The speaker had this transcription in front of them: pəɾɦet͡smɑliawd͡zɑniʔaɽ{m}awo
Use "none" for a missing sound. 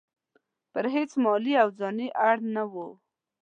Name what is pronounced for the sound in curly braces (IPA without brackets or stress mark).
n